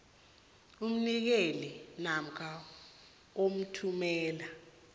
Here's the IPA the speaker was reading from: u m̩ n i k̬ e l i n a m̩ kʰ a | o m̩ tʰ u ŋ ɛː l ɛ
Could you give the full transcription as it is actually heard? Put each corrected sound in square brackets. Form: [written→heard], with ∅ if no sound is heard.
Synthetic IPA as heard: u m̩ n i k̬ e l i n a m̩ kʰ a | o m̩ tʰ u [ŋ→m] ɛː l [ɛ→a]